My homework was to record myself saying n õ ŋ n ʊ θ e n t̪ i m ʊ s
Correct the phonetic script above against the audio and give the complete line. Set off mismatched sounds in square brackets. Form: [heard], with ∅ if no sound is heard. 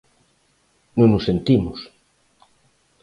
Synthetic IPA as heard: n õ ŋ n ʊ [s] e n t̪ i m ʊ s